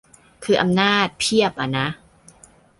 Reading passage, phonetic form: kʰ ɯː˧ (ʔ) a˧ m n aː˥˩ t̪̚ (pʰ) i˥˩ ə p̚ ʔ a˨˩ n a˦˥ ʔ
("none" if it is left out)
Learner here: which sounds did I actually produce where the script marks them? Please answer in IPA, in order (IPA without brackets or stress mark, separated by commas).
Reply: ʔ, pʰ